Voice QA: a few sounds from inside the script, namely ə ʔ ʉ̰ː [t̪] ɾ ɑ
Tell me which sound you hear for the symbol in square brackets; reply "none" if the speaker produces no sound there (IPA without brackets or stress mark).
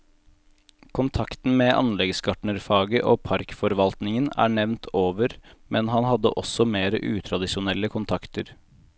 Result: t̪ʰ